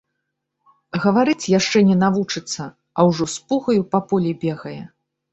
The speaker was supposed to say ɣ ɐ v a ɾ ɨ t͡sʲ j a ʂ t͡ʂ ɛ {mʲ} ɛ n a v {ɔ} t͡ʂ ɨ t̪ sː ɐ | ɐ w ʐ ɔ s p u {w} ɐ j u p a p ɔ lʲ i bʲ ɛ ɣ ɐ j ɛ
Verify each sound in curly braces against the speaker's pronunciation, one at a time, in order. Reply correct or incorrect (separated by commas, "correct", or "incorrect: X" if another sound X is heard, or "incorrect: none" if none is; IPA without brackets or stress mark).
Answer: incorrect: nʲ, incorrect: u, incorrect: ɣ